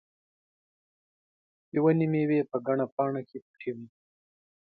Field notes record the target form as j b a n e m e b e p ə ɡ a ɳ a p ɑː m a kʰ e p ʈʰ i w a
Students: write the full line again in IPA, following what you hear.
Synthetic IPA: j w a n i m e w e p ə ɡ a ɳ a p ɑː ɳ a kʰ e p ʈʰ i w i